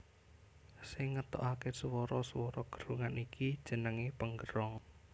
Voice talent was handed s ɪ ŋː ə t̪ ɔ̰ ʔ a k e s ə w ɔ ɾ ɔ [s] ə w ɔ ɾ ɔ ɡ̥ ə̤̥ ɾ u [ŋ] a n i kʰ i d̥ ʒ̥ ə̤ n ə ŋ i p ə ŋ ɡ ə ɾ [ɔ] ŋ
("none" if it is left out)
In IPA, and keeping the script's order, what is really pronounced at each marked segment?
s, ŋ, ɔ

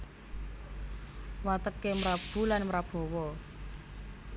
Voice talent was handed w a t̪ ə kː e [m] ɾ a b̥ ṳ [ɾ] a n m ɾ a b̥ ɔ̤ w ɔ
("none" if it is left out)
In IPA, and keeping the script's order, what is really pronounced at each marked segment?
m, l

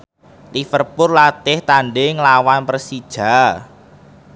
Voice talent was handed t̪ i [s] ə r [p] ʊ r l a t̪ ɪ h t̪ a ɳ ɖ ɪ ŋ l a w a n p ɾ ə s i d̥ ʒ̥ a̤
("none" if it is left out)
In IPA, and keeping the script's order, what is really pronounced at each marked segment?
f, p

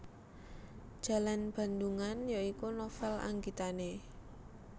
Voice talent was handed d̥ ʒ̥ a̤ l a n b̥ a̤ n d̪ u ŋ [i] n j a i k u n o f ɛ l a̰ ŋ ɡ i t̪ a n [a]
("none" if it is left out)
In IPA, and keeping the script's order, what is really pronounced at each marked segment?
a, e

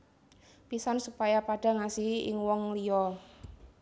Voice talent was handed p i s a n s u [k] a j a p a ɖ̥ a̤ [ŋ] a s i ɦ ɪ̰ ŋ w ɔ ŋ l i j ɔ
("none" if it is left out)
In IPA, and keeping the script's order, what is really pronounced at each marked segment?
p, ŋ

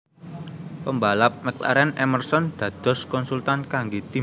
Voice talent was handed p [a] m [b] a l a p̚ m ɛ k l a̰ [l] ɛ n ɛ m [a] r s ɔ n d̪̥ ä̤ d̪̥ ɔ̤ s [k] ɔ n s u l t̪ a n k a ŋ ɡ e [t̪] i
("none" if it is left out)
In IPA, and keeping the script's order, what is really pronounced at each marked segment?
ə, b, ɾ, ə, k, t̪

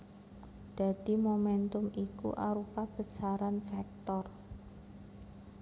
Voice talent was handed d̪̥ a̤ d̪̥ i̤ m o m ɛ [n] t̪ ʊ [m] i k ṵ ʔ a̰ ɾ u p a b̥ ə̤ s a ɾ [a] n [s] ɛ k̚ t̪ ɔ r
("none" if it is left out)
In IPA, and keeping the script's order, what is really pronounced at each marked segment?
n, m, a, f

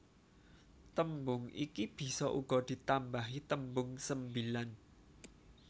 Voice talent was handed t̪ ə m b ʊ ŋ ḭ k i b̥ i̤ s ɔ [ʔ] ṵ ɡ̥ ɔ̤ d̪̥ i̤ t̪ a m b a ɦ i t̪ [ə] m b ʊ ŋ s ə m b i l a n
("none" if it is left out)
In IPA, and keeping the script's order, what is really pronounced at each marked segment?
ʔ, ə

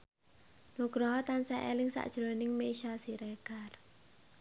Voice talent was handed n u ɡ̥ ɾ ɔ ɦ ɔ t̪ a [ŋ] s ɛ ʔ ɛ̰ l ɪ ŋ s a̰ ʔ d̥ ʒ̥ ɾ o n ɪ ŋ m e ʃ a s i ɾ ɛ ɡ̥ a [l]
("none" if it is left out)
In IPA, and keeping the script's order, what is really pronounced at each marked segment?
n, r

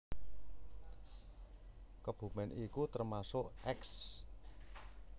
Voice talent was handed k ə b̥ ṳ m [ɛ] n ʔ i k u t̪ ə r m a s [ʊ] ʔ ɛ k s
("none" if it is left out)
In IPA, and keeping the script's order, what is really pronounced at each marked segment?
ɛ, ʊ

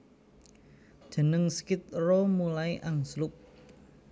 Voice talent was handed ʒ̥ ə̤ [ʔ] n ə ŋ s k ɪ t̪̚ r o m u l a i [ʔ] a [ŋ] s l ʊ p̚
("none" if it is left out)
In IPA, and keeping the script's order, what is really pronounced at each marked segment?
none, ʔ, ŋ

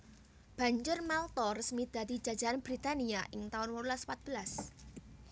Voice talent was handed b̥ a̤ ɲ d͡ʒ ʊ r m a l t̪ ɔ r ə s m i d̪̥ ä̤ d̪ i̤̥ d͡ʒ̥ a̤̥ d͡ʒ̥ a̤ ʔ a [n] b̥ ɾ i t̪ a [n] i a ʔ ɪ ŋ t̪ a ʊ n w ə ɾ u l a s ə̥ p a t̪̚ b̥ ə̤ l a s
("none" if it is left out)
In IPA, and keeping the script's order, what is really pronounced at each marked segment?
n, n

